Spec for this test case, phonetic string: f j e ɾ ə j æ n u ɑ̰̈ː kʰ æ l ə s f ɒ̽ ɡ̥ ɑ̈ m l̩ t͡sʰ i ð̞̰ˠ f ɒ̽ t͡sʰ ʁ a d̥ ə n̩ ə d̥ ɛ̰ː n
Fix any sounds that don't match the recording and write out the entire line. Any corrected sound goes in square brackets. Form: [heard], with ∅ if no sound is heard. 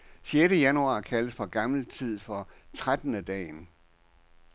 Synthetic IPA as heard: [ɕ] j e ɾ ə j æ n u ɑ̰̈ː kʰ æ l ə s f ɒ̽ ɡ̥ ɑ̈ m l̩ t͡sʰ i ð̞̰ˠ f ɒ̽ t͡sʰ ʁ a d̥ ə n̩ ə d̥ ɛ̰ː n